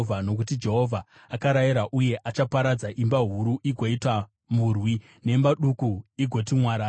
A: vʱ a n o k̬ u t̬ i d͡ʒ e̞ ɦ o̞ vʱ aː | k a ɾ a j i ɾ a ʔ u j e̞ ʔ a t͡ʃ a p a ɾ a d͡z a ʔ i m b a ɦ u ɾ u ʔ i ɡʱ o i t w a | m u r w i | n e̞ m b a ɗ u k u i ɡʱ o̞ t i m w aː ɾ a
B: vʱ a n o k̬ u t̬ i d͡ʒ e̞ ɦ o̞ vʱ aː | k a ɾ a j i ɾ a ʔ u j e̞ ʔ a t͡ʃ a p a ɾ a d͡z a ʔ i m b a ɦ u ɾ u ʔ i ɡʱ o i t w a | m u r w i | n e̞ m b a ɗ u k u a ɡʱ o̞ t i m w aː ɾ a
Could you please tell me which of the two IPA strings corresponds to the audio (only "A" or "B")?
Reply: A